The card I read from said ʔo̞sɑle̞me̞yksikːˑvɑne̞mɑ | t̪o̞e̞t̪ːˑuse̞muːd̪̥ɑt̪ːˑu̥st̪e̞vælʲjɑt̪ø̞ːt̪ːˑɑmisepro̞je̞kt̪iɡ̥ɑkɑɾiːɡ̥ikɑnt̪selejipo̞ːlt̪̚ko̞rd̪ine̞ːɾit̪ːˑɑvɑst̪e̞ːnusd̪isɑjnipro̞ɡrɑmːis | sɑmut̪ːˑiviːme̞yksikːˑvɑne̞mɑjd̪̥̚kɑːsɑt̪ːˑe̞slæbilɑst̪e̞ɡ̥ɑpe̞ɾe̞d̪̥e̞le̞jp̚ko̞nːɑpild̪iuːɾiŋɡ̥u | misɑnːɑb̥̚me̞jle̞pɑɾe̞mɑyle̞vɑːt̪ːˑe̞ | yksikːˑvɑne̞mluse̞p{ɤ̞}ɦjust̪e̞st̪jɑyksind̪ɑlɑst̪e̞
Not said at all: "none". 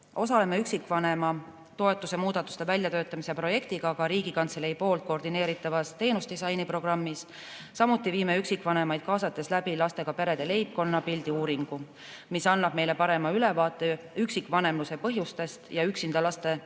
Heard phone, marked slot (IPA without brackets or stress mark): ɤ̞